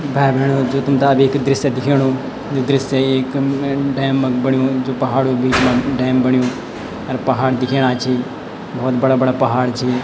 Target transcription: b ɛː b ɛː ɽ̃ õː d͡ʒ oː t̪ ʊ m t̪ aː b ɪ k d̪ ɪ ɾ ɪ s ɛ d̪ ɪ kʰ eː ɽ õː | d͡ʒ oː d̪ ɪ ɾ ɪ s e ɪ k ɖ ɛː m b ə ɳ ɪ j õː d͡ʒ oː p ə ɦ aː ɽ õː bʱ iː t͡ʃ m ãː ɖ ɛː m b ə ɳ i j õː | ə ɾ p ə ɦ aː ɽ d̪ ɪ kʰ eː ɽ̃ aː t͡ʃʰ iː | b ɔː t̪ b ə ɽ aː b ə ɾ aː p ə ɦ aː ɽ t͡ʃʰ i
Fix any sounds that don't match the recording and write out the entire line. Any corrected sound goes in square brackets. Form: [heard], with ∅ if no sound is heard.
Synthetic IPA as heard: b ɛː b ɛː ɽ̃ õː d͡ʒ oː t̪ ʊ m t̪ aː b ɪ k d̪ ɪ ɾ ɪ s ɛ d̪ ɪ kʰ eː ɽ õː | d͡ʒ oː d̪ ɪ ɾ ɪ s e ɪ k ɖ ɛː m b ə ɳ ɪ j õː d͡ʒ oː p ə ɦ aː ɽ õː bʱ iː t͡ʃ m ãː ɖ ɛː m b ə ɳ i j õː | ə ɾ p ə ɦ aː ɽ d̪ ɪ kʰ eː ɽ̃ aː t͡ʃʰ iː | b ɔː t̪ b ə ɽ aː b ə [ɽ] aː p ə ɦ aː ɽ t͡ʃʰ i